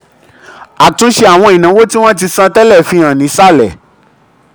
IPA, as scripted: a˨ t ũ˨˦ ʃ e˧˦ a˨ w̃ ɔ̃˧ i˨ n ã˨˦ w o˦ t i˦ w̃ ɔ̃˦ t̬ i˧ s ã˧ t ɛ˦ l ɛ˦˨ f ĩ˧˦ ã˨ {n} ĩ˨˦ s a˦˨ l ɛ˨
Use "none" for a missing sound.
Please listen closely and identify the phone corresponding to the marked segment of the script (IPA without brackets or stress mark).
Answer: n